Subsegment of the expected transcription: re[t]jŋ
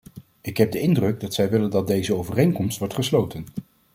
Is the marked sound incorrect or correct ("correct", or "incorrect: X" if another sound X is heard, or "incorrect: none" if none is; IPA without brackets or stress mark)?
incorrect: none